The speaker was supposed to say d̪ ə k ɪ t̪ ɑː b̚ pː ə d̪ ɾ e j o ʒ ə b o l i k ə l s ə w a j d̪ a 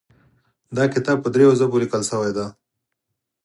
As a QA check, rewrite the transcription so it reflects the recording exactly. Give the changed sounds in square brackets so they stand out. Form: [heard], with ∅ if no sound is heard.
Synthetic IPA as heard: d̪ [ɑ] k ɪ t̪ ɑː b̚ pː ə d̪ ɾ e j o [z] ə b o l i k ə l s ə w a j d̪ a

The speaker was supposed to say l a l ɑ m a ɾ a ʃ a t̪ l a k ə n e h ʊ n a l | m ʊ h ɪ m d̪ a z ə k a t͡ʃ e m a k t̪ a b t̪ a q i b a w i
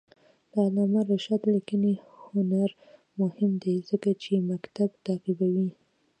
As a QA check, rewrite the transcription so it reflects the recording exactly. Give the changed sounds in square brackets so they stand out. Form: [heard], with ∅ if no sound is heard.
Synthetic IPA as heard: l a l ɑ m a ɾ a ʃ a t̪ l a k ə n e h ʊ n a [ɾ] | m ʊ h ɪ m d̪ [e] z ə k a t͡ʃ e m a k t̪ a b t̪ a q i b a w i

